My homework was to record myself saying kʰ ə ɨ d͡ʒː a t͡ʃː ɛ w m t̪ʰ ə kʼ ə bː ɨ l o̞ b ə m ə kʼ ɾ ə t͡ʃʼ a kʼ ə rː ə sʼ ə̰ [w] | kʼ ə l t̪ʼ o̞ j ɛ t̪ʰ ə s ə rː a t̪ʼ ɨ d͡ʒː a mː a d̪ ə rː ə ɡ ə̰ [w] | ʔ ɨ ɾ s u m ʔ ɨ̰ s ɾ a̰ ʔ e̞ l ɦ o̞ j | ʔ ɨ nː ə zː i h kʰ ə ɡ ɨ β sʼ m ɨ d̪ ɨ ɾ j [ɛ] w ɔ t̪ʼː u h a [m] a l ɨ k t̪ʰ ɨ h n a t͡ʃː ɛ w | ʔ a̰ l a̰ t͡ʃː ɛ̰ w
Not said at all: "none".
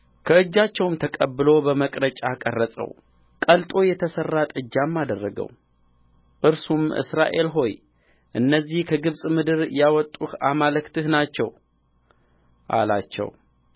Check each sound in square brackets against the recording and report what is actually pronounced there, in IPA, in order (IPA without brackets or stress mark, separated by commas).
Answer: w, w, a, m